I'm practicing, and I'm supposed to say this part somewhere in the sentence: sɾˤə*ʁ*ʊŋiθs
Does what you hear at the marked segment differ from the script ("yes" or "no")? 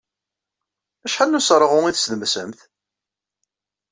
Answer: no